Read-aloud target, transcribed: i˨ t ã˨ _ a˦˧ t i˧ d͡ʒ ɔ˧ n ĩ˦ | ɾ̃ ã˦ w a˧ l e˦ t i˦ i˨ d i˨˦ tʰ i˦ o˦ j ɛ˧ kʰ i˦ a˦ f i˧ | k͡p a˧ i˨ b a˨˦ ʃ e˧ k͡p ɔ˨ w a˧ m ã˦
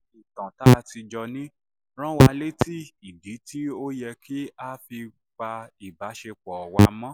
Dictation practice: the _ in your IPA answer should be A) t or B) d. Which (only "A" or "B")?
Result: A